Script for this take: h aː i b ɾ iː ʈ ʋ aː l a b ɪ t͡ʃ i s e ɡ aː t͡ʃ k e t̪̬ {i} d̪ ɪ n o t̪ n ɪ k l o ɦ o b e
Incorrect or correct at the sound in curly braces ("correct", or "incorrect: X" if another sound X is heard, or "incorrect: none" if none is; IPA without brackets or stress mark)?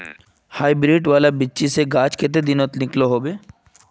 incorrect: e